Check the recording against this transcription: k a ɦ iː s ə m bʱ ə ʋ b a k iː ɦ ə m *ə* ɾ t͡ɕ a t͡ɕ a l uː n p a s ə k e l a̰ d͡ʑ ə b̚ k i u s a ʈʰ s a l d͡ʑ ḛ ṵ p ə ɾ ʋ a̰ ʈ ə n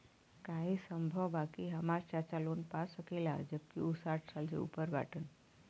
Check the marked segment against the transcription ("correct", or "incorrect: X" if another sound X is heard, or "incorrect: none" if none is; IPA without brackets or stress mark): incorrect: a